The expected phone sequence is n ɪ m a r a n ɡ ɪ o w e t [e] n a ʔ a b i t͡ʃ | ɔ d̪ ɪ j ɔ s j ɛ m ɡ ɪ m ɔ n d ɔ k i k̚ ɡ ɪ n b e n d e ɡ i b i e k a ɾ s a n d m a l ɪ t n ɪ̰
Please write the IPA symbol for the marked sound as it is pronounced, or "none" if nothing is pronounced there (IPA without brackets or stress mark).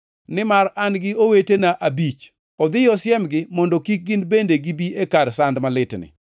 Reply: e